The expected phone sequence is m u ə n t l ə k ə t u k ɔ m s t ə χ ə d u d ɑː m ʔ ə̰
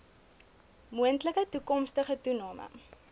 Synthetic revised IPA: m u ə n t l ə k ə t u k ɔ m s t ə χ ə t u n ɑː m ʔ ə̰